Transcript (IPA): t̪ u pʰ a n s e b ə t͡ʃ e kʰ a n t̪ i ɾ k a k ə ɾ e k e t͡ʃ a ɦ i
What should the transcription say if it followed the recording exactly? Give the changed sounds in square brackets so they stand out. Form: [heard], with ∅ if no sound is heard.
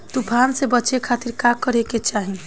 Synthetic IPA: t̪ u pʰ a n s e b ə t͡ʃ e kʰ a [∅] t̪ i ɾ k a k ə ɾ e k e t͡ʃ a ɦ i